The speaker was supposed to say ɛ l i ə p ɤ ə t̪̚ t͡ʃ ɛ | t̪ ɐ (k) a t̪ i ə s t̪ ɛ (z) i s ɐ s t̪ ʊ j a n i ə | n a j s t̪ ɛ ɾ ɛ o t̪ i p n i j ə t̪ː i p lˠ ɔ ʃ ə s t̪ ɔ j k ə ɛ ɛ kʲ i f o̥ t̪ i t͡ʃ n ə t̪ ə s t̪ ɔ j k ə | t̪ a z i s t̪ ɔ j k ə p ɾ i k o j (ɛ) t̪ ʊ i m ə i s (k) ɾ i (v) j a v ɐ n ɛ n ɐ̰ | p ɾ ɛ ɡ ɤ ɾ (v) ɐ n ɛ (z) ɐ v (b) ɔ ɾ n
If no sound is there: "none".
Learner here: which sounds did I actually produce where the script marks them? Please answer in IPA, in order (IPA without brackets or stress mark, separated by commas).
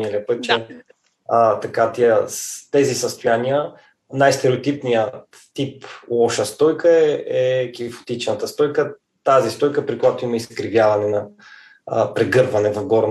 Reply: k, z, a, k, v, v, v, ɡ